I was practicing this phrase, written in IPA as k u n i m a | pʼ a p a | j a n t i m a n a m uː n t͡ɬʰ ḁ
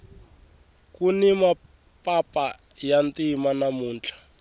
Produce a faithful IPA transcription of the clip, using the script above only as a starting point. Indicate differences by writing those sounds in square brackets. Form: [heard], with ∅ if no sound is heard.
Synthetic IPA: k u n i m a | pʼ a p a | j a n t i m a n a m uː n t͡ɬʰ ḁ

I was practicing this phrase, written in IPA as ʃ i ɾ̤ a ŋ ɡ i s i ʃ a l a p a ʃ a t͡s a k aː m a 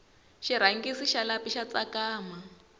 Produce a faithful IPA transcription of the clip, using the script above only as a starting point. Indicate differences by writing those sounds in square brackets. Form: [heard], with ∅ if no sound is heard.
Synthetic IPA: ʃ i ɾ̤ a ŋ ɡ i s i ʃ a l a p [i] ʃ a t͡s a k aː m a

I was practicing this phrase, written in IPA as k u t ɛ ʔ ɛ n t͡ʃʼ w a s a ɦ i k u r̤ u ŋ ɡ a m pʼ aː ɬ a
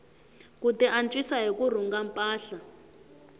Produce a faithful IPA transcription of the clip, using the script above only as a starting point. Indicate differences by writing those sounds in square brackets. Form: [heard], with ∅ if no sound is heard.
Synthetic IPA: k u t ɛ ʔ [a] n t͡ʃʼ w [i] s a ɦ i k u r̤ u ŋ ɡ a m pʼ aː ɬ a

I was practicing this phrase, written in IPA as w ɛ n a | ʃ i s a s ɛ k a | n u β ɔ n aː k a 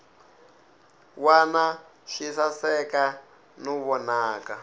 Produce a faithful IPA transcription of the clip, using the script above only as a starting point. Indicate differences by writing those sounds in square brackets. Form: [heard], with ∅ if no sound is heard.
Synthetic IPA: w [a] n a | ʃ i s a s ɛ k a | n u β ɔ n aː k a

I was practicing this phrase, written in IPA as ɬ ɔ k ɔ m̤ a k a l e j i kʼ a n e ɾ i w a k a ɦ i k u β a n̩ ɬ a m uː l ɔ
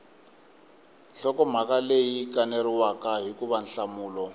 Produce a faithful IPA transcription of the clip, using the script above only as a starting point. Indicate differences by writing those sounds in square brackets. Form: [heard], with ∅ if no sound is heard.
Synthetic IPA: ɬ ɔ k ɔ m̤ a k a l e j i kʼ a n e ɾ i w a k a ɦ i k u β a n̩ ɬ a m uː l ɔ

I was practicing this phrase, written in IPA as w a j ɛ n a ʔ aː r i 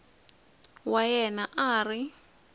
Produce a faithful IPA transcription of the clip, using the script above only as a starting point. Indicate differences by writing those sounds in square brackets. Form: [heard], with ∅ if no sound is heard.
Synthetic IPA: w a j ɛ n a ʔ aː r i

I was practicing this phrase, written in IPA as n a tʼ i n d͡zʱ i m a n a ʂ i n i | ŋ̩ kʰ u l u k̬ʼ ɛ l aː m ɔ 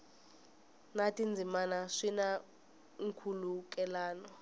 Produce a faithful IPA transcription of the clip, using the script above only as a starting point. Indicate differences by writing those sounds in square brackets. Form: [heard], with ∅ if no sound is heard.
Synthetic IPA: n a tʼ i n d͡zʱ i m a n a ʂ i n [a] | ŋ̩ kʰ u l u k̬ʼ ɛ l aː [n] ɔ

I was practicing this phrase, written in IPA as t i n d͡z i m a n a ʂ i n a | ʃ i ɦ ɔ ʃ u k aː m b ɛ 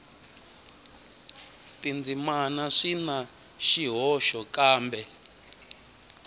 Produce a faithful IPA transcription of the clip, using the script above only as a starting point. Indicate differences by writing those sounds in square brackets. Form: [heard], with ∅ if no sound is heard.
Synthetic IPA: t i n d͡z i m a n a ʂ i n a | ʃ i ɦ ɔ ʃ [ɔ] k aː m b ɛ

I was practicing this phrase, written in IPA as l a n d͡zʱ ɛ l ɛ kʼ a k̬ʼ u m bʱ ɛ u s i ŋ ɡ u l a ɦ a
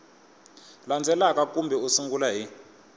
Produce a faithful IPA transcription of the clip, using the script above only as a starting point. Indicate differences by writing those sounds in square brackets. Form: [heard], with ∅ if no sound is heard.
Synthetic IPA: l a n d͡zʱ ɛ l [a] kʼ a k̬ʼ u m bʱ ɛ u s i ŋ ɡ u l a ɦ [i]

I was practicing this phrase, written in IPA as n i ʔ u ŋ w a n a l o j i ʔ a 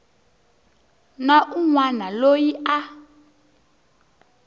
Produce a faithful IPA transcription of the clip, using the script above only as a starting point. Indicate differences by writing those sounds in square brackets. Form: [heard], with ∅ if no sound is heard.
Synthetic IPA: n [a] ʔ u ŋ w a n a l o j i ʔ a

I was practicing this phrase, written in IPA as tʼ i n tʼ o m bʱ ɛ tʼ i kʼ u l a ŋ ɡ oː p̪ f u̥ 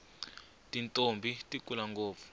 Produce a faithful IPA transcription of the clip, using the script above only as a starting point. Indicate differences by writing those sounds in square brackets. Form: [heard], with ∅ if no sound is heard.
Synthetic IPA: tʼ i n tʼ o m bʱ [i] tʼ i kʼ u l a ŋ ɡ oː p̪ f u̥

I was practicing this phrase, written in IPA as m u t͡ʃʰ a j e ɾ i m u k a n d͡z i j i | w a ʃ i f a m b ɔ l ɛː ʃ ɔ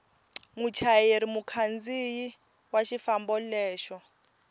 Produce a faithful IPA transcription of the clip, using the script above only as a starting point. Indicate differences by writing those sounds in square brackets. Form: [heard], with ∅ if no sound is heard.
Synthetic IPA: m u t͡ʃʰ a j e ɾ i m u [kʰ] a n d͡z i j i | w a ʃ i f a m b ɔ l ɛː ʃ ɔ

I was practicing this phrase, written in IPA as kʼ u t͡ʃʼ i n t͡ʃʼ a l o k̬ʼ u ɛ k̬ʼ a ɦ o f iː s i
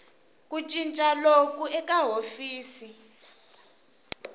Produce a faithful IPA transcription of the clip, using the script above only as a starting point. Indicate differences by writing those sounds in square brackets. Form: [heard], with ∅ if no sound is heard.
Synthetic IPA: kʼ u t͡ʃʼ i n t͡ʃʼ a l o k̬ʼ u ɛ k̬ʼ a ɦ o f iː s i

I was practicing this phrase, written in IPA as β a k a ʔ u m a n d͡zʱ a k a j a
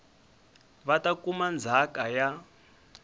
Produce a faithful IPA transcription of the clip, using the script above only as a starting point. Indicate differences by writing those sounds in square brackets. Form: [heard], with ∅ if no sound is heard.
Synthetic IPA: β a [t] a [k] u m a n d͡zʱ a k a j a

